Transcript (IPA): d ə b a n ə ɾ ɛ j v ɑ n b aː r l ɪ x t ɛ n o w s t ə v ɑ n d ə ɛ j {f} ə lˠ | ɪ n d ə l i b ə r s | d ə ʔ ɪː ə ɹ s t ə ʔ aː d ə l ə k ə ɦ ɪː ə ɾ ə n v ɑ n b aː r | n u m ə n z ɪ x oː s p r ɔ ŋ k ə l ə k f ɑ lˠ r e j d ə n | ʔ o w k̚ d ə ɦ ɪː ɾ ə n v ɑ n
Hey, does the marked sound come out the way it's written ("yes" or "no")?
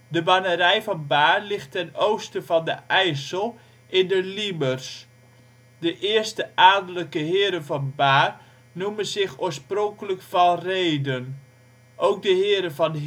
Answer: no